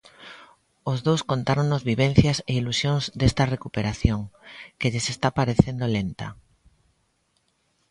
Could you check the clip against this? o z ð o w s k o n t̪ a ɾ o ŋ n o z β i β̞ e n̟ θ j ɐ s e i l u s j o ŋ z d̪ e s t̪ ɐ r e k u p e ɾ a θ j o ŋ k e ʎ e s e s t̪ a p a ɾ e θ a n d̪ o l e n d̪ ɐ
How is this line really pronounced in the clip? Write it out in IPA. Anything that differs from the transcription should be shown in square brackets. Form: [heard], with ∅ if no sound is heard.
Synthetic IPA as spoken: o z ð o w s k o n t̪ a ɾ o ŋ n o z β i β̞ e n̟ θ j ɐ s e i l u s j o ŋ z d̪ e s t̪ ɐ r e k u p e ɾ a θ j o ŋ k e ʎ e s e s t̪ a p a ɾ e θ [e] n d̪ o l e n [t̪] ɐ